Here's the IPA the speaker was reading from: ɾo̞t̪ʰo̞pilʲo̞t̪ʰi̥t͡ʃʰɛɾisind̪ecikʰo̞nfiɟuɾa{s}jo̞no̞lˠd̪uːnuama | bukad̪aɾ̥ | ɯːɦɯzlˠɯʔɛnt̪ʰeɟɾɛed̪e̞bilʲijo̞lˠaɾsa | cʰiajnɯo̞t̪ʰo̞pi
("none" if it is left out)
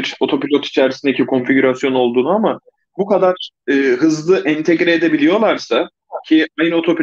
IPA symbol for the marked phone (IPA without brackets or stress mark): s